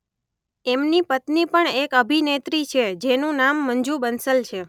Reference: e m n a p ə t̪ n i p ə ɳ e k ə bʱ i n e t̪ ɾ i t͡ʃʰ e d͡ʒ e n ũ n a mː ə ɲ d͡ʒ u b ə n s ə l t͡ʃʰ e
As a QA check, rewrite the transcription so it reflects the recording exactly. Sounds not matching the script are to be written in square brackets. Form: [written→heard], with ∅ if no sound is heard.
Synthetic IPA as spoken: e m n [a→i] p ə t̪ n i p ə ɳ e k ə bʱ i n e t̪ ɾ i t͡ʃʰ e d͡ʒ e n ũ n a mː ə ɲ d͡ʒ u b ə n s ə l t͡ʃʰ e

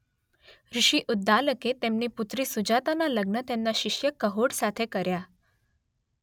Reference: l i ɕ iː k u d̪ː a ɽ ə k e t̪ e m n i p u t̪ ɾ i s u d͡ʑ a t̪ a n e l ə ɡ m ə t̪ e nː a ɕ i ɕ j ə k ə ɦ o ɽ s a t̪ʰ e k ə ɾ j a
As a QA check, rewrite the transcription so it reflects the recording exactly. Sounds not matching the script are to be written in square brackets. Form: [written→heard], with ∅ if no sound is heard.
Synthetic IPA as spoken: [l→ɾ] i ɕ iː [k→ʔ] u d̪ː a [ɽ→l] ə k e t̪ e m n i p u t̪ ɾ i s u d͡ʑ a t̪ a n [e→a] l ə ɡ [m→n] ə t̪ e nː a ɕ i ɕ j ə k ə ɦ o ɽ s a t̪ʰ e k ə ɾ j a

